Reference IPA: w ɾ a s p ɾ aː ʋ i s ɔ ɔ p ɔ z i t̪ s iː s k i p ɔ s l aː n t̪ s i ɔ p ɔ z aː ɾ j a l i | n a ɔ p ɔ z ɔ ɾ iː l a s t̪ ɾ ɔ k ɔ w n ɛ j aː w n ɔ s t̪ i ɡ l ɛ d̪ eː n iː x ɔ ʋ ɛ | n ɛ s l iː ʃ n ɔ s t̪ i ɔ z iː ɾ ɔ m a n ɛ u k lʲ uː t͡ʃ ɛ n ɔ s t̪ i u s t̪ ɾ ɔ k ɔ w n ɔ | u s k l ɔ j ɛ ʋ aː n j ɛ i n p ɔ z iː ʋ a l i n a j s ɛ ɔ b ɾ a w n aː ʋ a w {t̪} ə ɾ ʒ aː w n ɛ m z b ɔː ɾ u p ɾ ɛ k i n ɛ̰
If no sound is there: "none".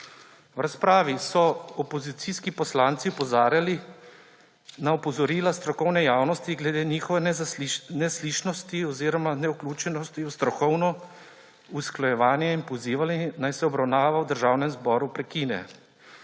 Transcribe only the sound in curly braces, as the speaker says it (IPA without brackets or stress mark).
d̪